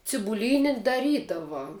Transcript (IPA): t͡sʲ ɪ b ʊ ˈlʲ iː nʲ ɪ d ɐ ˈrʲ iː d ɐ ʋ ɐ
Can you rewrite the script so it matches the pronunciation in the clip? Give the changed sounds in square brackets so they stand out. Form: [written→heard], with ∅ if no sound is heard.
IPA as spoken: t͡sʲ ɪ b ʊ ˈlʲ iː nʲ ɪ d ɐ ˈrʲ iː d ɐ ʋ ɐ